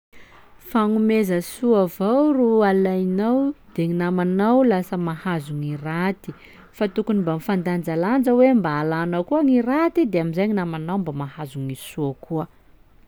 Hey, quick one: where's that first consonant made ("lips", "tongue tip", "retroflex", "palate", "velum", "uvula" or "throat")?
lips